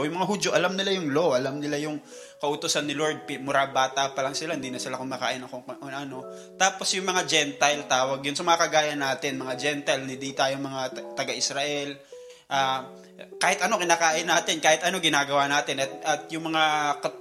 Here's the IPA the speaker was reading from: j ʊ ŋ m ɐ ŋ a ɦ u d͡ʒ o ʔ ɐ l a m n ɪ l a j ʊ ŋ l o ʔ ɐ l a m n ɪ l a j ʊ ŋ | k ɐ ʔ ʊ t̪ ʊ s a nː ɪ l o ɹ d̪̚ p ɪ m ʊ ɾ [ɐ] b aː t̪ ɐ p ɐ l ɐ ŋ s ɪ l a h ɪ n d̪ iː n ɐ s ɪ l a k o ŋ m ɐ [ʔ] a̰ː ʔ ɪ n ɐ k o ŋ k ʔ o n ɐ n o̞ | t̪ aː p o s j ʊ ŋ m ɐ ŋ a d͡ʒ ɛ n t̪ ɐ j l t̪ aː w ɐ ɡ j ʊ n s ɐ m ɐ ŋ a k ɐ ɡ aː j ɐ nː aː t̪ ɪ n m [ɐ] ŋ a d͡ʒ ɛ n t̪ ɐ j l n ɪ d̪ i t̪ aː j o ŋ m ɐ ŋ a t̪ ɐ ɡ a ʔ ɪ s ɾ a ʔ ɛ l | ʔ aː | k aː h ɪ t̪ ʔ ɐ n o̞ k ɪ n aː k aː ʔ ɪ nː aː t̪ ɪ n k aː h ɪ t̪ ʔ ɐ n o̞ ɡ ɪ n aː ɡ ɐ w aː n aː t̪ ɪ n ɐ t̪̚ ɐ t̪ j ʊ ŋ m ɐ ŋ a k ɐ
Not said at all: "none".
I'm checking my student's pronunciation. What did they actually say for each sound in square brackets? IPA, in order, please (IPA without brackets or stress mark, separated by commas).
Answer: a, k, ɐ